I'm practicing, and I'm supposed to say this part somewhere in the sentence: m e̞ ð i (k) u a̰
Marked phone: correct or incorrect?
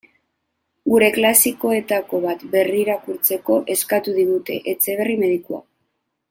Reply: correct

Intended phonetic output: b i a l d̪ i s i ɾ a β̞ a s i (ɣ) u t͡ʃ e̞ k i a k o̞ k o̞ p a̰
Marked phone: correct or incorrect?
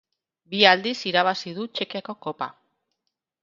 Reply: incorrect: ð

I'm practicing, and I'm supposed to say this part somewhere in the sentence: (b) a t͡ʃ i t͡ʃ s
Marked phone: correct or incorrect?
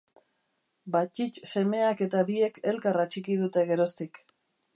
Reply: correct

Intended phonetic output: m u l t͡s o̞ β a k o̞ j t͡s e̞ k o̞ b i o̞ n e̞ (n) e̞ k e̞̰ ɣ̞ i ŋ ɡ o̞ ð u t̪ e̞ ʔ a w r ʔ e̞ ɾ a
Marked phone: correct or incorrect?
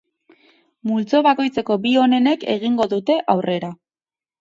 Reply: correct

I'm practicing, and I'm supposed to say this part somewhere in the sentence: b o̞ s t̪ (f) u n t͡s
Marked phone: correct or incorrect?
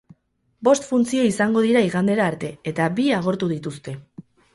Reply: correct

